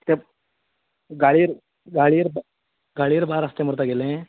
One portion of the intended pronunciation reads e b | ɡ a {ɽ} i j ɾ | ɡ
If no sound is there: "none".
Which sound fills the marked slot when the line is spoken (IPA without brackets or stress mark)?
ɭ